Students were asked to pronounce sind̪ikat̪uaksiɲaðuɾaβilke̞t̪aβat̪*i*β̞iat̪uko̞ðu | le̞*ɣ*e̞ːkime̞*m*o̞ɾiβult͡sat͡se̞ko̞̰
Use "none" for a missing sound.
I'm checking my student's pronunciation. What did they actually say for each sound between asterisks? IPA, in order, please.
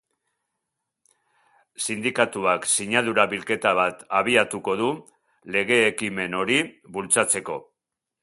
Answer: a, ɣ, n

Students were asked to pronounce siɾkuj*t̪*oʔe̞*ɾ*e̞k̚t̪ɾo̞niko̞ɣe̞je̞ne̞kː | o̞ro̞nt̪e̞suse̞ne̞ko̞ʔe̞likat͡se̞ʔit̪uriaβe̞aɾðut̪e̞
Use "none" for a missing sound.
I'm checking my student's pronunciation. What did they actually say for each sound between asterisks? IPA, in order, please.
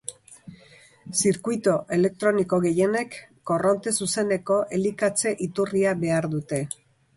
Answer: t̪, l

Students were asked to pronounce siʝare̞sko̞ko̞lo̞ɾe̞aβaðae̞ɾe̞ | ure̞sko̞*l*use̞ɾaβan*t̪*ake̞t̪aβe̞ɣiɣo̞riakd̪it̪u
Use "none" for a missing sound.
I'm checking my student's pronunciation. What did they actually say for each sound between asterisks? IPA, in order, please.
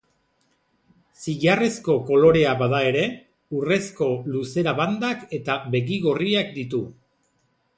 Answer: l, d̪

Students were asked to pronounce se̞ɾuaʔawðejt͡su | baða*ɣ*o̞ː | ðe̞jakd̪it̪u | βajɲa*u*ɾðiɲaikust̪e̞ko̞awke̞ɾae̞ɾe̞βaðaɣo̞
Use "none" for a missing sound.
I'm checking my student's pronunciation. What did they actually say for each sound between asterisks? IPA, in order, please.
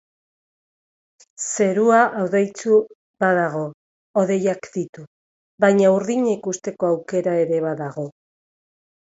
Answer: ɣ, u

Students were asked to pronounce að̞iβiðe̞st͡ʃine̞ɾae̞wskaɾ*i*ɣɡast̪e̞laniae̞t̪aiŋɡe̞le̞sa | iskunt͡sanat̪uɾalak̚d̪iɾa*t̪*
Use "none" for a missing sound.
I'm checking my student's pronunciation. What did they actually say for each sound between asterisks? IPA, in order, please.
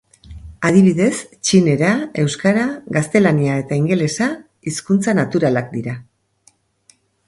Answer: a, none

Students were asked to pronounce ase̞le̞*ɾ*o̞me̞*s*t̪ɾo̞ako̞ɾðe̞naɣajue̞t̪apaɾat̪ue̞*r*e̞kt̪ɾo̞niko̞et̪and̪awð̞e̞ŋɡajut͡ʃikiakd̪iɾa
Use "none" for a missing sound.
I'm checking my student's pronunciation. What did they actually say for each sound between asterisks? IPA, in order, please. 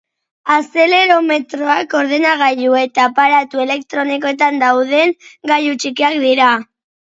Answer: ɾ, none, l

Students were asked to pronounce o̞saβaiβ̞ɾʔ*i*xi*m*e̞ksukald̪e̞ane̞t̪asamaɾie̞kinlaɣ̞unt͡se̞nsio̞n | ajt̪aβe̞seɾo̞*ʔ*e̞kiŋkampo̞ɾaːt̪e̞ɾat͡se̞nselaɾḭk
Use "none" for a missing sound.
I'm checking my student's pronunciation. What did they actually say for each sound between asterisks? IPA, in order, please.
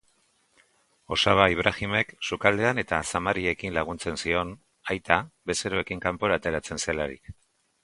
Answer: a, m, none

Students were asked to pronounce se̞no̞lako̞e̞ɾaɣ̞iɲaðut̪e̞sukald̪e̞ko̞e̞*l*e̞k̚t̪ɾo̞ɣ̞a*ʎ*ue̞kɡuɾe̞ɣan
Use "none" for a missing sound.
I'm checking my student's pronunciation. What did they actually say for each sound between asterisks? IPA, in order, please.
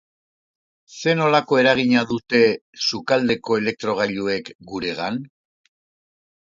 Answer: l, ʎ

